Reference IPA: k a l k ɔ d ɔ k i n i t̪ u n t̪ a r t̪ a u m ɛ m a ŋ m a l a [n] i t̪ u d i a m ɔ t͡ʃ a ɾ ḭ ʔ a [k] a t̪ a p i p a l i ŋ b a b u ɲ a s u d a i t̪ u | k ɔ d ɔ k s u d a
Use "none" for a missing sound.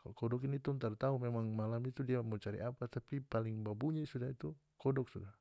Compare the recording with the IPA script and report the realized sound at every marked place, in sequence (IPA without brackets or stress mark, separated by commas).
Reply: m, p